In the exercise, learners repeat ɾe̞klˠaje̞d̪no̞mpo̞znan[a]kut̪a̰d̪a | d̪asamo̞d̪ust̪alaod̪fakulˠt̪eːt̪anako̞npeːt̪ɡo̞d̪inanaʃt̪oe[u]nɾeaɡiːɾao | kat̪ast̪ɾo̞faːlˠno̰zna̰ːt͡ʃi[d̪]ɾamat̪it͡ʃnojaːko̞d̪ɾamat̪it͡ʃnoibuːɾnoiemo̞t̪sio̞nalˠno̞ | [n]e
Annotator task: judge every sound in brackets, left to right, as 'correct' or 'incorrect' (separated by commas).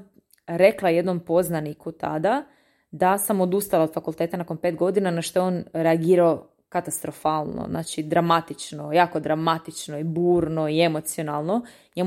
incorrect, incorrect, correct, incorrect